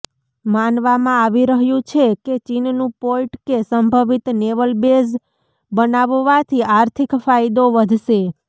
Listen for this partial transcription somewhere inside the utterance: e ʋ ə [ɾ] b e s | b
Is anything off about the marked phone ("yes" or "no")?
yes